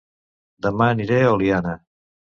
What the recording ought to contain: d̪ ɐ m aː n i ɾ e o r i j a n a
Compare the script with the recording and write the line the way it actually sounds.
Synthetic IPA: d̪ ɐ m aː n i ɾ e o l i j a n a

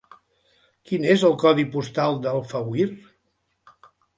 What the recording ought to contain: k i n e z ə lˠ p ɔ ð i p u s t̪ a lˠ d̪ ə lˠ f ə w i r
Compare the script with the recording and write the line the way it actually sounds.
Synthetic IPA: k i n e z ə lˠ k ɔ ð i p u s t̪ a lˠ d̪ ə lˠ f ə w i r

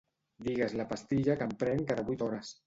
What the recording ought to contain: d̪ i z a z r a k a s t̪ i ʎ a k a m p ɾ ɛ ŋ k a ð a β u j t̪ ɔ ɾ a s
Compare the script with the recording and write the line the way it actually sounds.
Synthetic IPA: d̪ i ɣ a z l a p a s t̪ i ʎ a k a m p ɾ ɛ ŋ k a ð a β u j t̪ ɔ ɾ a s

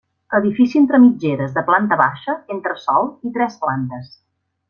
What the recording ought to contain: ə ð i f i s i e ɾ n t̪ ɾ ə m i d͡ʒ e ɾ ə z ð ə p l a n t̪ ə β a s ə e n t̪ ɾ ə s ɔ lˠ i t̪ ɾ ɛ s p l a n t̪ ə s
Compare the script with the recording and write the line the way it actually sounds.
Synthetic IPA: ə ð i f i s i e n t̪ ɾ ə m i d͡ʒ e ɾ ə z ð ə p l a n t̪ ə β a ʃ ə e n t̪ ɾ ə s ɔ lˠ i t̪ ɾ ɛ s p l a n t̪ ə s

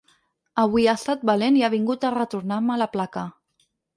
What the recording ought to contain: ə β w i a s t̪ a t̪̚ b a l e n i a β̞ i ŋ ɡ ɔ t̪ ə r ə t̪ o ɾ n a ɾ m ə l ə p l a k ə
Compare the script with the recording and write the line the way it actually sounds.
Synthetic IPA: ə β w i a s t̪ a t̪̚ b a l e n i a β̞ i ŋ ɡ u t̪ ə r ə t̪ u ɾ n a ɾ m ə l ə p l a k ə

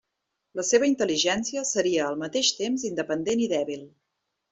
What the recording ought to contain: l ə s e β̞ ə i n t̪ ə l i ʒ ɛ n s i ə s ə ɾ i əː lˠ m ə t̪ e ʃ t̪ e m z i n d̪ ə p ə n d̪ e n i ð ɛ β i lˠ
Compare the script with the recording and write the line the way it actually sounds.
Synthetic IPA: l ə s e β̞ ə i n t̪ ə l i ʒ ɛ n s i ə s ə ɾ i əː lˠ m ə t̪ e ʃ t̪ e m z i n d̪ ə p ə n d̪ e n i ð ɛ β i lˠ

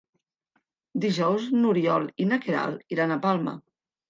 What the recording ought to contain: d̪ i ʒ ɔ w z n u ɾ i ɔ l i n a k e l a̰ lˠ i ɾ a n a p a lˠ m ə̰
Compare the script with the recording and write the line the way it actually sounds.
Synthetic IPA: d̪ i ʒ ɔ w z n u ɾ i ɔ l i n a k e ɾ a̰ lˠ i ɾ a n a p a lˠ m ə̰

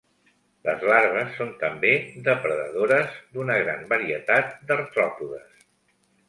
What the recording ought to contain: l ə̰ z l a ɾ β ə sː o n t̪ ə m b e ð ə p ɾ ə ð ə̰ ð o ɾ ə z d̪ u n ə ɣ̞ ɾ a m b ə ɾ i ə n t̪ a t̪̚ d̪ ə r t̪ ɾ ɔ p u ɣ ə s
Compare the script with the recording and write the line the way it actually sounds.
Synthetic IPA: l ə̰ z l a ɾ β ə sː o n t̪ ə m b e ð ə p ɾ ə ð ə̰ ð o ɾ ə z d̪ u n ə ɣ̞ ɾ a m b ə ɾ i ə t̪ a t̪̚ d̪ ə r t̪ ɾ ɔ p u ð ə s

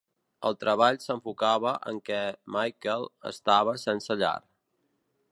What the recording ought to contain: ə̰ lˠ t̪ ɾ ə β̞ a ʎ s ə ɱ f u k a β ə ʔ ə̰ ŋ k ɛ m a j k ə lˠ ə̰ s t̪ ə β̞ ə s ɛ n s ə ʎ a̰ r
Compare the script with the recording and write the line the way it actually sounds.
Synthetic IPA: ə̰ lˠ t̪ ɾ ə β̞ a ʎ s ə ɱ f u k a β ə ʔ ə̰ ŋ k ɛ m a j k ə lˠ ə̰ s t̪ a β̞ ə s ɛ n s ə ʎ a̰ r

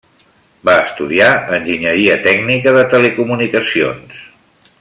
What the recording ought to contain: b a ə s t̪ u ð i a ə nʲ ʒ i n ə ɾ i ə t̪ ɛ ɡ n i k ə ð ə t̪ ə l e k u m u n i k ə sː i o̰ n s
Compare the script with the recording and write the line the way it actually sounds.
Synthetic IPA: b a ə s t̪ u ð i a ə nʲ ʒ i ɲ ə ɾ i ə t̪ ɛ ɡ n i k ə ð ə t̪ ə l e k u m u n i k ə s i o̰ n s

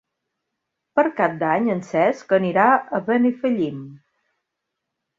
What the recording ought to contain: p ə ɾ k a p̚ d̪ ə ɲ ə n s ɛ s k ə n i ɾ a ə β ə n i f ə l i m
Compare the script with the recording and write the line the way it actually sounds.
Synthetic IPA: p ə ɾ k a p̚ d̪ a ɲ ə n s ɛ s k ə n i ɾ a ə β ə n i f ə ʎ i m

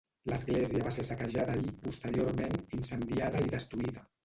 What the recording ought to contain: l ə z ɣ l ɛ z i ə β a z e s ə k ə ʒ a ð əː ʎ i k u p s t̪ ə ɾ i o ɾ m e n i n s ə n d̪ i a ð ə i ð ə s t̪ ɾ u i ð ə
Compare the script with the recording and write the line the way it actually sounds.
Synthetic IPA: l ə z ɣ l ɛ z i ə β a s e s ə k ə ʒ a ð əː ʎ i p u s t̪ ə ɾ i o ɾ m e n i n s ə n d̪ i a ð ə i ð ə s t̪ ɾ u i ð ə

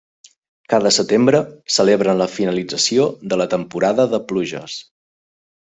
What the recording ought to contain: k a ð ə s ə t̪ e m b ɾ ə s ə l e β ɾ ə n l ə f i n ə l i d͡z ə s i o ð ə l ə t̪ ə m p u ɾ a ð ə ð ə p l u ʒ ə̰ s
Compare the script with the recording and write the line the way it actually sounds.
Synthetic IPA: k a ð ə s ə t̪ e m b ɾ ə s ə l e β ɾ ə n l ə f i n ə l i d͡z ə s i o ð ə l ə t̪ ə m p u ɾ a ð ə ð ə p l u ʒ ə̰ s

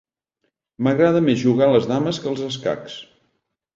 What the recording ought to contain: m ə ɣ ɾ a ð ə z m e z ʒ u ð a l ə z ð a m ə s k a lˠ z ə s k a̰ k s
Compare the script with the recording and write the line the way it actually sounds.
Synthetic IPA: m ə ɣ ɾ a ð ə m e z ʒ u ɣ a l ə z ð a m ə s k ə lˠ z ə s k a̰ k s

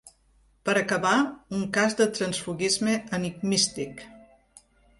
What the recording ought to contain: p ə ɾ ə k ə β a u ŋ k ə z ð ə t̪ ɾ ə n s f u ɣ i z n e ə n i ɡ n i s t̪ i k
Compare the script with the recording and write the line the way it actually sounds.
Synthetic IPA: p ə ɾ ə k ə β a u ŋ k a z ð ə t̪ ɾ ə n s f u ɣ i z m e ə n i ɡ m i s t̪ i k

